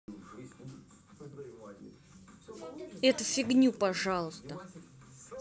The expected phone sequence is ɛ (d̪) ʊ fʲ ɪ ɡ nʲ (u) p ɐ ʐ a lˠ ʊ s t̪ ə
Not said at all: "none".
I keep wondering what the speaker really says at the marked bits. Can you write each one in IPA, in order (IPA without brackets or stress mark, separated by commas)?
t̪, u